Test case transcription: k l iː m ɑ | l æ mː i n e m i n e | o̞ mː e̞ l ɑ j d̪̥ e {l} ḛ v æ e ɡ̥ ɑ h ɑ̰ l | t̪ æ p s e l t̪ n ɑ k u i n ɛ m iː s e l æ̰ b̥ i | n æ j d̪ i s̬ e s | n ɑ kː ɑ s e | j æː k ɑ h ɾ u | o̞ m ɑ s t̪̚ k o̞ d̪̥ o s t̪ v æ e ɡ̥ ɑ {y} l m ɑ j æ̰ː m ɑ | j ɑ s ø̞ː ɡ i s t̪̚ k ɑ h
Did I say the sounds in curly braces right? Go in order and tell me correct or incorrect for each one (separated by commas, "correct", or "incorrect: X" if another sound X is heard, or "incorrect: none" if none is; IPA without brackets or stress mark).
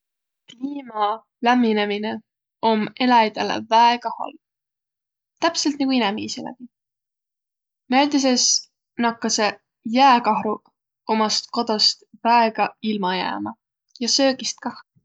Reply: correct, incorrect: i